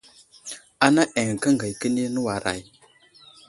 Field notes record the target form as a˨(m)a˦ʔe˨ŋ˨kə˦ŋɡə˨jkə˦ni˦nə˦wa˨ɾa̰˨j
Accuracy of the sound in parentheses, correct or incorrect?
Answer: incorrect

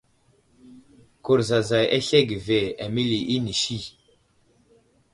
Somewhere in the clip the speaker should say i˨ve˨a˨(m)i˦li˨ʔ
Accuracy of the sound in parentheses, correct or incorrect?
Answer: correct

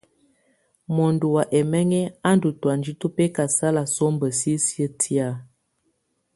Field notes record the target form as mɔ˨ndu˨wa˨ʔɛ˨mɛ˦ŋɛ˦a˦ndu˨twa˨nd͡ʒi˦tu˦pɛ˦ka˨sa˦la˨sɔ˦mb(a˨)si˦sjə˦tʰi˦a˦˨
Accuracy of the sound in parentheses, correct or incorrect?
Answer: incorrect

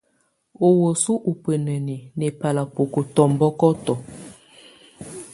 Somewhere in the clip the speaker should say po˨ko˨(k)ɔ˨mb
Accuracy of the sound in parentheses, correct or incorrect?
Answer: incorrect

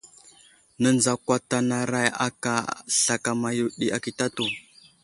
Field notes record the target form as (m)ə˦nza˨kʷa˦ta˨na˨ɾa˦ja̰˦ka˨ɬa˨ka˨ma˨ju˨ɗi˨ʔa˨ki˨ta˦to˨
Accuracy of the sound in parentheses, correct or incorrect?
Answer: incorrect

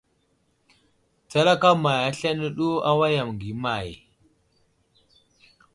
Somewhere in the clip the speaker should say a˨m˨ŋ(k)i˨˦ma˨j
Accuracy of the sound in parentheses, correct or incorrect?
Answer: incorrect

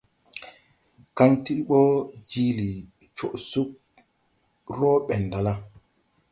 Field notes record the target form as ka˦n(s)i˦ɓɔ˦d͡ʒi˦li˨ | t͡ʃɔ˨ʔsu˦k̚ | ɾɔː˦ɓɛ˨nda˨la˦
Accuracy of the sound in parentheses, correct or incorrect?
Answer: incorrect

